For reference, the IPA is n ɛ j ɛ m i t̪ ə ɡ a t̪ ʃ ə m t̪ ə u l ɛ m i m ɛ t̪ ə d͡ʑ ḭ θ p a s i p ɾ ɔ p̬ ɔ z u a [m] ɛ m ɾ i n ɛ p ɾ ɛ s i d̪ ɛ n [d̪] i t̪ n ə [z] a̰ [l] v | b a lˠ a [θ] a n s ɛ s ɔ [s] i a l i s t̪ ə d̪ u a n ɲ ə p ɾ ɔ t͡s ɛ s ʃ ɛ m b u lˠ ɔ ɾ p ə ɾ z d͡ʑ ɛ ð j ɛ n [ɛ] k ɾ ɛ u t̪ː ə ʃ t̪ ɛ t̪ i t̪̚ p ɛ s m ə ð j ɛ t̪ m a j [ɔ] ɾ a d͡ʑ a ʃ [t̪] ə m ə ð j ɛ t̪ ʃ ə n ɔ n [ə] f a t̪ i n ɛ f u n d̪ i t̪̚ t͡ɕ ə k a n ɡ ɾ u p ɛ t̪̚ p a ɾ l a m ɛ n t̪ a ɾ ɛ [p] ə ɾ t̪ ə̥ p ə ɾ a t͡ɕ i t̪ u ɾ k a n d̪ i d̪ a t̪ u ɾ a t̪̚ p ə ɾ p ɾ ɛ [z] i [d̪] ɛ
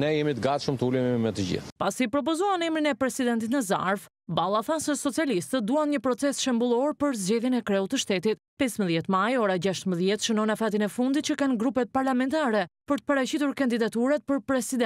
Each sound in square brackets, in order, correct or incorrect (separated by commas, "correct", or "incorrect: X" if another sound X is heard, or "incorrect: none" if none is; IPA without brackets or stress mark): incorrect: n, incorrect: t̪, correct, incorrect: ɾ, correct, incorrect: t͡s, correct, correct, correct, incorrect: a, correct, incorrect: s, correct